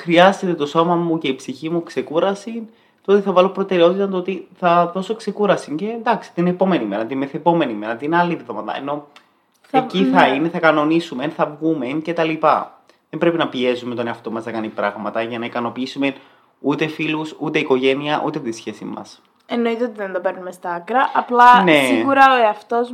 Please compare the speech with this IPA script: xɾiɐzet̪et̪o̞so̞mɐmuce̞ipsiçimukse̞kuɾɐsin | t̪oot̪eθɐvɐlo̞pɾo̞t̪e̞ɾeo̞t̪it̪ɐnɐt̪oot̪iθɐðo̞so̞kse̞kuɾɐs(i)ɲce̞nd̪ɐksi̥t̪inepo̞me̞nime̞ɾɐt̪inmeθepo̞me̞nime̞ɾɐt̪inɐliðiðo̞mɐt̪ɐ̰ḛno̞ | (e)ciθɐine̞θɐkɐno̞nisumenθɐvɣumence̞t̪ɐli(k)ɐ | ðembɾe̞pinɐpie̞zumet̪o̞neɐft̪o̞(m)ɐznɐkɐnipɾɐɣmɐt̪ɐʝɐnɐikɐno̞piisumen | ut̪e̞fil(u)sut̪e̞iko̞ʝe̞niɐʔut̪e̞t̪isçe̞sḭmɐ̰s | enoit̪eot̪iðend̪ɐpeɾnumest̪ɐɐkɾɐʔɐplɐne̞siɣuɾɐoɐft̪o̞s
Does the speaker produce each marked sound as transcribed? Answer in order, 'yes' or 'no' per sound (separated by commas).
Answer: yes, yes, no, yes, yes